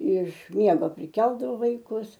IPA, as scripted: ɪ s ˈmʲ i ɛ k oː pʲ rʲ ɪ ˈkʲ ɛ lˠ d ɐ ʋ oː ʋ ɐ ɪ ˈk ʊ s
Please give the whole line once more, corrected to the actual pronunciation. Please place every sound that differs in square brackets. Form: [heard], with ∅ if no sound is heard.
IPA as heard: ɪ [ʃ] ˈmʲ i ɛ [ɡ] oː pʲ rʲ ɪ ˈkʲ ɛ lˠ d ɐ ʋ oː ʋ ɐ ɪ ˈk ʊ s

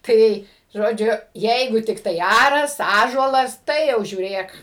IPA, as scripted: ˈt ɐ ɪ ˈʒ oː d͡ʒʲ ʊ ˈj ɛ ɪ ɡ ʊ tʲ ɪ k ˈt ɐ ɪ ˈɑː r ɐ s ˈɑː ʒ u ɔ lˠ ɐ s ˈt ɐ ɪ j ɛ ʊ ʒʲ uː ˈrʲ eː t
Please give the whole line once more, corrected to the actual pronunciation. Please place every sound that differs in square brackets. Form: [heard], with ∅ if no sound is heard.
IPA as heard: ˈt ɐ ɪ ˈʒ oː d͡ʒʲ ʊ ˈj ɛ ɪ ɡ ʊ tʲ ɪ k ˈt ɐ ɪ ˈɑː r ɐ s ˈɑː ʒ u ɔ lˠ ɐ s ˈt ɐ ɪ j ɛ ʊ ʒʲ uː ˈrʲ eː [k]

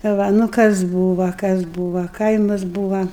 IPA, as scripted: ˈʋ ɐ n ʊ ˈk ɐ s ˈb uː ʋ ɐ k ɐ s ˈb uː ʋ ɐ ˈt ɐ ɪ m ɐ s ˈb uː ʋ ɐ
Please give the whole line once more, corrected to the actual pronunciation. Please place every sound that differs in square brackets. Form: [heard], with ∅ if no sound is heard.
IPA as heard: ˈʋ ɐ n ʊ ˈk ɐ s ˈb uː ʋ ɐ k ɐ s ˈb uː ʋ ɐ [ˈk] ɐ ɪ m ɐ s ˈb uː ʋ ɐ

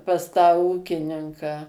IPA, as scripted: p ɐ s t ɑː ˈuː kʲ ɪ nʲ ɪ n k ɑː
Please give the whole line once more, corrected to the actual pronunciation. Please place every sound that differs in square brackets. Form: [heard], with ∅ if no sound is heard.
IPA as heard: p ɐ s t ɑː ˈuː kʲ ɪ nʲ ɪ [ŋ] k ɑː

